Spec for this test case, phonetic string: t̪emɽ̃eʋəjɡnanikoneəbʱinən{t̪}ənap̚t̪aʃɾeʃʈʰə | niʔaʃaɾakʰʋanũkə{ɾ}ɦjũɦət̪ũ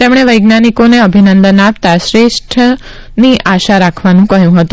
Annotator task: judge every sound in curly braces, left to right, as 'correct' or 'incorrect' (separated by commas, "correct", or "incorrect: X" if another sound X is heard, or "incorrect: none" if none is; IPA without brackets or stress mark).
incorrect: d̪, incorrect: none